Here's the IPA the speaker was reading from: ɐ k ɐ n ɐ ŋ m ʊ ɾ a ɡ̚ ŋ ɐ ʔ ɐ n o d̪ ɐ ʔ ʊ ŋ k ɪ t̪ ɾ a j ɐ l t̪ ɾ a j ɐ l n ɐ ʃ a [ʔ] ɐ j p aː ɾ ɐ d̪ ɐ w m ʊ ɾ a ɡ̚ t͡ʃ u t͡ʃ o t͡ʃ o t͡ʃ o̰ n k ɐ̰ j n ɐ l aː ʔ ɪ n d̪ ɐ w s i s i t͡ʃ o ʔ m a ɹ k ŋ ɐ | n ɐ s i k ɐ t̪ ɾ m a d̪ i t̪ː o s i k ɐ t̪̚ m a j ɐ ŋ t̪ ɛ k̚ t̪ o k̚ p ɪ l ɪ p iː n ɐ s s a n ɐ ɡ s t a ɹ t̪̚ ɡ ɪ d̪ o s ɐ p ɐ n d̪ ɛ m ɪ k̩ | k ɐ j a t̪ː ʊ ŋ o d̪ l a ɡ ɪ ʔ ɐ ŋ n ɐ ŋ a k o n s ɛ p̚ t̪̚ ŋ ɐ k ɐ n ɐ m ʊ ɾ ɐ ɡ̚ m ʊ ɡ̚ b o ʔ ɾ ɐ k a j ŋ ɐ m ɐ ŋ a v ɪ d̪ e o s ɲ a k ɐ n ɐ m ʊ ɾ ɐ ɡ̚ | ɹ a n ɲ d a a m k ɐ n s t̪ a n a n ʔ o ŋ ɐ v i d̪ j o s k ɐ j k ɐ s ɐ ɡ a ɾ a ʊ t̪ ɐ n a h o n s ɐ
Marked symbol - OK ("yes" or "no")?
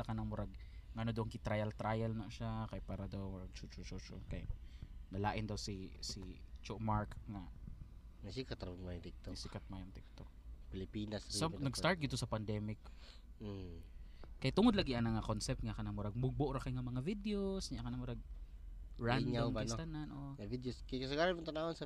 no